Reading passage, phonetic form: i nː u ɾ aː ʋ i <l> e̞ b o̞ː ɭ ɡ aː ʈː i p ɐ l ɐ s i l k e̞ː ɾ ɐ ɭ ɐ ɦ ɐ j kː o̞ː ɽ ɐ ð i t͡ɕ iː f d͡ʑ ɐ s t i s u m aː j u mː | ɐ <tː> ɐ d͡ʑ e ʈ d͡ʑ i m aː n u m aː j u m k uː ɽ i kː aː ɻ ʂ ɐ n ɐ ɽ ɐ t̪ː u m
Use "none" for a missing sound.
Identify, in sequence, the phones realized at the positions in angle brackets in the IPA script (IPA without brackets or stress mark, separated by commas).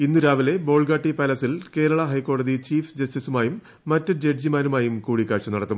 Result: l, tː